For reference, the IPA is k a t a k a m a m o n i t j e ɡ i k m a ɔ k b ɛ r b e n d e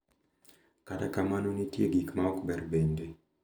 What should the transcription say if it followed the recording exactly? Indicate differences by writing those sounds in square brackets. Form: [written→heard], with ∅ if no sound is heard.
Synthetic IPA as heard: k a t a k a m a [m→n] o n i t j e ɡ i k m a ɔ k b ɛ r b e n d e